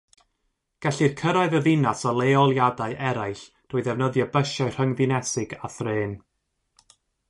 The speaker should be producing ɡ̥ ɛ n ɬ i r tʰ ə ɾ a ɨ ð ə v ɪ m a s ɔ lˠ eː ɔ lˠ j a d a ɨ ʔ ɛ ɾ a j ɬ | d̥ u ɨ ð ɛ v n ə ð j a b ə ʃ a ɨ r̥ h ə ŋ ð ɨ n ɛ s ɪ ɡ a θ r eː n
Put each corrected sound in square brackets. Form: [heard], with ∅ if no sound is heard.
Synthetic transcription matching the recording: ɡ̥ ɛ [∅] ɬ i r [kʰ] ə ɾ a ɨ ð ə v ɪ [n] a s ɔ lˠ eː ɔ lˠ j a d a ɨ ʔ ɛ ɾ a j ɬ | d̥ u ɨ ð ɛ v n ə ð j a b ə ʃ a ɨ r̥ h ə ŋ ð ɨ n ɛ s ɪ ɡ a θ r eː n